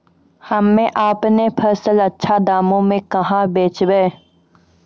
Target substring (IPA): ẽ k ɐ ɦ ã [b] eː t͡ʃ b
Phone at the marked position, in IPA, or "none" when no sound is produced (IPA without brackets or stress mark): b